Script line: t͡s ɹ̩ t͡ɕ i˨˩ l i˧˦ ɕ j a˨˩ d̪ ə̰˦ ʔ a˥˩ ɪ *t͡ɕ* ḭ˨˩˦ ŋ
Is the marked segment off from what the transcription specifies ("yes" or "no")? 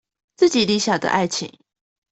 yes